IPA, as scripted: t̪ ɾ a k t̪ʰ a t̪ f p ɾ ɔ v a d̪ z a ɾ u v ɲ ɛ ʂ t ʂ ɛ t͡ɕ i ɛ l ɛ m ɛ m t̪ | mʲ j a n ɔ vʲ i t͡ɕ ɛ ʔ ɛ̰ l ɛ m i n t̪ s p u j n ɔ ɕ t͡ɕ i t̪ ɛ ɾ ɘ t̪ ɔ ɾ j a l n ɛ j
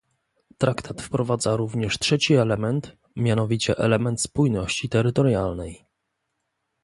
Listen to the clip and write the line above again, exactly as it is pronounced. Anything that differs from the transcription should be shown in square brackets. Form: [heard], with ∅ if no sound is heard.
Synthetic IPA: t̪ ɾ a k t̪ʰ a t̪ f p ɾ ɔ v a d̪ z a ɾ u v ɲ ɛ ʂ t ʂ ɛ t͡ɕ i ɛ l ɛ m ɛ [n] t̪ | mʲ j a n ɔ vʲ i t͡ɕ ɛ ʔ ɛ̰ l ɛ m [ɛ] n t̪ s p u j n ɔ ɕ t͡ɕ i t̪ ɛ ɾ ɘ t̪ ɔ ɾ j a l n ɛ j

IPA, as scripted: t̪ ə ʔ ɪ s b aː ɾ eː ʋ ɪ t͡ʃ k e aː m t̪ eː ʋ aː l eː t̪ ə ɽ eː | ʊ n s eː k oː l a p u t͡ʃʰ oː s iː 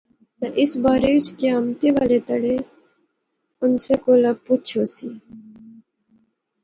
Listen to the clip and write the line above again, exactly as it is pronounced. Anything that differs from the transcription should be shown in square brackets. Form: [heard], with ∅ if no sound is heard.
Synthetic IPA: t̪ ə ʔ ɪ s b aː ɾ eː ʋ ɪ t͡ʃ k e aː m t̪ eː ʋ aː l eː t̪ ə ɽ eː | ʊ n s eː k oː l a p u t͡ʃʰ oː s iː

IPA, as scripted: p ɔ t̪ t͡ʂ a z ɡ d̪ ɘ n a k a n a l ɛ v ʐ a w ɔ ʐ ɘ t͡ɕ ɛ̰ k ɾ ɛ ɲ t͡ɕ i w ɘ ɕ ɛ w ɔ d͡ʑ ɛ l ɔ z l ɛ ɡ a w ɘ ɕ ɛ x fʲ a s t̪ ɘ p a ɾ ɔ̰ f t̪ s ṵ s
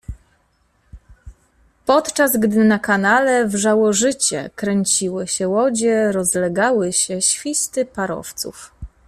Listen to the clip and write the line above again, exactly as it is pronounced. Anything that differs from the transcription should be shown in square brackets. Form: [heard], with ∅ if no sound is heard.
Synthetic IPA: p ɔ t̪ t͡ʂ a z ɡ d̪ ɘ n a k a n a l ɛ v ʐ a w ɔ ʐ ɘ t͡ɕ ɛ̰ k ɾ ɛ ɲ t͡ɕ i w ɘ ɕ ɛ w ɔ d͡ʑ ɛ [ɾ] ɔ z l ɛ ɡ a w ɘ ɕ ɛ [ɕ] fʲ [i] s t̪ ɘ p a ɾ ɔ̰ f t̪ s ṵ [f]

